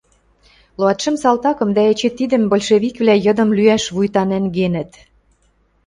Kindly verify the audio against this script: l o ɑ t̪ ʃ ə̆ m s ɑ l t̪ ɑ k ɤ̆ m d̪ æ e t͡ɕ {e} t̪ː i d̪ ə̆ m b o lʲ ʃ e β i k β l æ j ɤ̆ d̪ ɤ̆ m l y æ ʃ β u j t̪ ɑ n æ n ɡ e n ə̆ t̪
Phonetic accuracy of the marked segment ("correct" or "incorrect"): correct